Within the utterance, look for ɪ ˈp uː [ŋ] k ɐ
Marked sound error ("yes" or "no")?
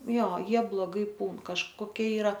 yes